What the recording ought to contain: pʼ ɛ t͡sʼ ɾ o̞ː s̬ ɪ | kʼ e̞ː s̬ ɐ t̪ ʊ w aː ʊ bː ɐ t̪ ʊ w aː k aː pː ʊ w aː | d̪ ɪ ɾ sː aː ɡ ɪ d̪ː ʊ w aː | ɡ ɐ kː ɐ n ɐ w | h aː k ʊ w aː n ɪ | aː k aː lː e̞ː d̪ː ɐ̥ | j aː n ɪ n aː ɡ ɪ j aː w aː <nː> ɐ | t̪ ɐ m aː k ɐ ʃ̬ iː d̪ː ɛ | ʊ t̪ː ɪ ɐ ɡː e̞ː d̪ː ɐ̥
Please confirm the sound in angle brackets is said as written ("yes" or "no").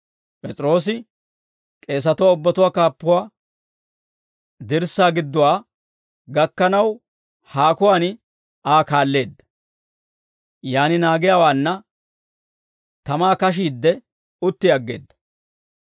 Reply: yes